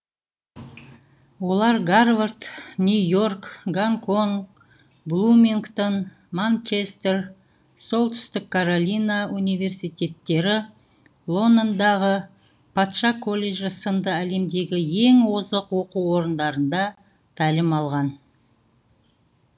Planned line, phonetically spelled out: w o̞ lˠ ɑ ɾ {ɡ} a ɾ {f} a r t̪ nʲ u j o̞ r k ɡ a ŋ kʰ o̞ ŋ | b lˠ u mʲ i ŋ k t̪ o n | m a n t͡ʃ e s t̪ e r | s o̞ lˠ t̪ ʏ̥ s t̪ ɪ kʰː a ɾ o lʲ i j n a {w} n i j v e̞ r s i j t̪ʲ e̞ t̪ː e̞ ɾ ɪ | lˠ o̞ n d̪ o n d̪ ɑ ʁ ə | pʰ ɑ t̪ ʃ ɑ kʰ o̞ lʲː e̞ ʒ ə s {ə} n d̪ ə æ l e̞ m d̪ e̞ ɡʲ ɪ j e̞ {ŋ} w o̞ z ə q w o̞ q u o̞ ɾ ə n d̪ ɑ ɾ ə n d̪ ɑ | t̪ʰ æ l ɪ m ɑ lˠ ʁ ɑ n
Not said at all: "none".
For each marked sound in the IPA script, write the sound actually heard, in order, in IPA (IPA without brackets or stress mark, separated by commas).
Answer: ɡ, v, u, ə, ŋ